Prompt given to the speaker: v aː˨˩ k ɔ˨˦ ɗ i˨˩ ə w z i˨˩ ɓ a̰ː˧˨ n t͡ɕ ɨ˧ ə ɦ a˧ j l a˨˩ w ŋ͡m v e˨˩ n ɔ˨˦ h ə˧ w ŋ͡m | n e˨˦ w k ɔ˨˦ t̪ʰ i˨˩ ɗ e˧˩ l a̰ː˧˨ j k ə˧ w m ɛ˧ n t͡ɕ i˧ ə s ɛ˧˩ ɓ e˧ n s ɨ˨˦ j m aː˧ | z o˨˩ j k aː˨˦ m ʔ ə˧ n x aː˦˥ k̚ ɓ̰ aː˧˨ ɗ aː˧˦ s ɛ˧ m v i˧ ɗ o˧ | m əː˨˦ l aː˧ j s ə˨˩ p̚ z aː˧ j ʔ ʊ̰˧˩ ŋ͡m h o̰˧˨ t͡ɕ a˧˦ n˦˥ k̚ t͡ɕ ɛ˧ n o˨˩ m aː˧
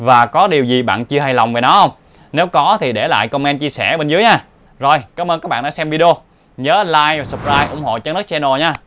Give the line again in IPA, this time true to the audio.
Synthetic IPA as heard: v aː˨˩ k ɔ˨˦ ɗ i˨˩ ə w z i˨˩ ɓ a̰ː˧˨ n t͡ɕ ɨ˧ ə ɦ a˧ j l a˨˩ w ŋ͡m v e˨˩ n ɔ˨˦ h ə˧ w ŋ͡m | n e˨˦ w k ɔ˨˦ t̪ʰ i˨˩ ɗ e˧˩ l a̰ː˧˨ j k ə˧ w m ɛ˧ n t͡ɕ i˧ ə s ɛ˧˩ ɓ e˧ n z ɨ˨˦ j ɲ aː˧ | z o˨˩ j k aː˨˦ m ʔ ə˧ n k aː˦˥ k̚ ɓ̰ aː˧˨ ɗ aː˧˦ s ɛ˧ m v i˧ ɗ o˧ | ɲ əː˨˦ l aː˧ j s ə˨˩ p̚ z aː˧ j ʔ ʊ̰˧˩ ŋ͡m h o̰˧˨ t͡ɕ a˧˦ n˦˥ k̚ t͡ɕ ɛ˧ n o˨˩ ɲ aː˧

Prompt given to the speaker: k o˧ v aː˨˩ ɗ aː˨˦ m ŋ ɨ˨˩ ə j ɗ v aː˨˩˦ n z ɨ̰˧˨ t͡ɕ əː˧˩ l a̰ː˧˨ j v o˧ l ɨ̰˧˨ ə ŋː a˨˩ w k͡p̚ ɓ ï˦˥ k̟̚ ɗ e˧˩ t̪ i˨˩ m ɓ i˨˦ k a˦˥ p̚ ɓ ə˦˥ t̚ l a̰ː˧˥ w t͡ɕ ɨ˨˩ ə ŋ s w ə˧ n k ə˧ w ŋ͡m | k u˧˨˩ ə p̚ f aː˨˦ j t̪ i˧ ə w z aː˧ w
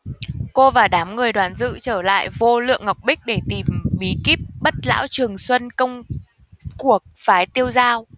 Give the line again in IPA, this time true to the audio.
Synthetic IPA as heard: k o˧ v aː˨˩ ɗ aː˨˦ m ŋ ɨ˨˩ ə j ɗ w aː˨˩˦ n z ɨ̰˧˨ t͡ɕ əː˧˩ l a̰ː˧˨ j v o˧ l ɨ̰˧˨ ə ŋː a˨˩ w k͡p̚ ɓ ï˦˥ k̟̚ ɗ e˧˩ t̪ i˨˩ m ɓ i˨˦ k i˦˥ p̚ ɓ ə˦˥ t̚ l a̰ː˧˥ w t͡ɕ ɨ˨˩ ə ŋ s w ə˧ n k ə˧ w ŋ͡m | k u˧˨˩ ə k̚ f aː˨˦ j t̪ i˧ ə w z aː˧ w

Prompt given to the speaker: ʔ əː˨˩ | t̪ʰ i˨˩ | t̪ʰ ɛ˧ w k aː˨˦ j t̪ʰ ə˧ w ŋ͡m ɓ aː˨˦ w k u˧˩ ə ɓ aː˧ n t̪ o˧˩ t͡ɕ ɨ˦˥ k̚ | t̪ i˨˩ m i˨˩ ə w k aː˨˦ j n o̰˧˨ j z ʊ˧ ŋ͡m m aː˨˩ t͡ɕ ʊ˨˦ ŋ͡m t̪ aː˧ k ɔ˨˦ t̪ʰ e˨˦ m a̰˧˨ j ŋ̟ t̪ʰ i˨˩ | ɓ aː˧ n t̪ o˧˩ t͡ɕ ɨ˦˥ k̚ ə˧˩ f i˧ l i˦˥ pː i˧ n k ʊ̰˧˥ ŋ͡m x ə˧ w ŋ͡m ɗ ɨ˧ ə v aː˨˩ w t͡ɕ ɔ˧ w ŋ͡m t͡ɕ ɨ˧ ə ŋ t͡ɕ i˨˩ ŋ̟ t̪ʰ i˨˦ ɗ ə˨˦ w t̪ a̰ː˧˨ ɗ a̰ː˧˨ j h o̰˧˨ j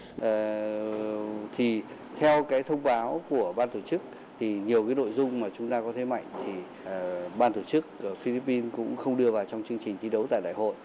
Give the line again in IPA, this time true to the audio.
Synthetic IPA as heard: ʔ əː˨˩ | t̪ʰ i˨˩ | t̪ʰ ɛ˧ w k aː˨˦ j t̪ʰ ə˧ w ŋ͡m ɓ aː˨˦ w k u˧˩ ə ɓ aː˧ n t̪ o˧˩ t͡ɕ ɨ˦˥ k̚ | t̪ʰ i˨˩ ɲ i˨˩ ə w k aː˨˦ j n o̰˧˨ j z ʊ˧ ŋ͡m m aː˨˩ t͡ɕ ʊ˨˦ ŋ͡m t̪ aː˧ k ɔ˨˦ t̪ʰ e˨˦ m a̰˧˨ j ŋ̟ t̪ʰ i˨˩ | ɓ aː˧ n t̪ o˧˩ t͡ɕ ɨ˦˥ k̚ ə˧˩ f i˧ l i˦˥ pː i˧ n k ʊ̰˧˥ ŋ͡m x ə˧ w ŋ͡m ɗ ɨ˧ ə v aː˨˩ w t͡ɕ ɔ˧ w ŋ͡m t͡ɕ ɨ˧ ə ŋ t͡ɕ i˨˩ ŋ̟ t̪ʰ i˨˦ ɗ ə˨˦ w t̪ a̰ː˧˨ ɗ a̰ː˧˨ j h o̰˧˨ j

